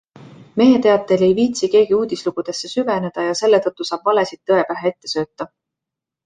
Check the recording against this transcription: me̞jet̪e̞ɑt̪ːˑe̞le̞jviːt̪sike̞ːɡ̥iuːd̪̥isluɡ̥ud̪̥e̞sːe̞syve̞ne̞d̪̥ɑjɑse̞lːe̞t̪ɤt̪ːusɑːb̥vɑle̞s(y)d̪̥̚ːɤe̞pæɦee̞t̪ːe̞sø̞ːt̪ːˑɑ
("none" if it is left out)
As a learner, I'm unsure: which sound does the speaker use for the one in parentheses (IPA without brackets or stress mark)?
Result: i